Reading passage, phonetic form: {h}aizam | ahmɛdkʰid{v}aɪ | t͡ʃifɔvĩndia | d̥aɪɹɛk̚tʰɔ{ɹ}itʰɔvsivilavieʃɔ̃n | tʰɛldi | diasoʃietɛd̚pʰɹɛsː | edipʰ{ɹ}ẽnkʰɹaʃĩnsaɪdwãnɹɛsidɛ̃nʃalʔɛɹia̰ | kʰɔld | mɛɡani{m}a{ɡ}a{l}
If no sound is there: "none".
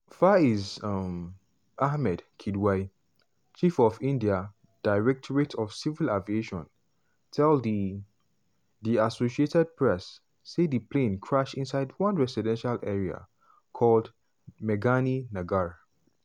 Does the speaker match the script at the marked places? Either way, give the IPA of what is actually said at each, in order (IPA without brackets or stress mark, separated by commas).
f, w, ɹ, l, n, ɡ, ɹ